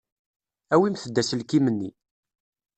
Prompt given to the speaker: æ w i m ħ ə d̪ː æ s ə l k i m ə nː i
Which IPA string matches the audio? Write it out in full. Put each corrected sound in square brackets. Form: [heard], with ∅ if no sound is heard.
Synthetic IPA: æ w i m [θ] ə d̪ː æ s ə l k i m ə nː i